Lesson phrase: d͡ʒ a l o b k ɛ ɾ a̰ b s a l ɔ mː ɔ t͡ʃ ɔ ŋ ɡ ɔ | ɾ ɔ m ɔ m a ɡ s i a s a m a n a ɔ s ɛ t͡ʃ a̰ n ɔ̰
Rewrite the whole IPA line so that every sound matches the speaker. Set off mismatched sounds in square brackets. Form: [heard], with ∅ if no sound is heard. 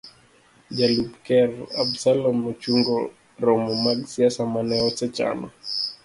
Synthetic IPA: d͡ʒ a l [u] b k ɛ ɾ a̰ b s a l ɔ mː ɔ t͡ʃ [u] ŋ ɡ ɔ | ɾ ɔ m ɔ m a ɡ s i a s a m a n [ɛ] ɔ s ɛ t͡ʃ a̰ n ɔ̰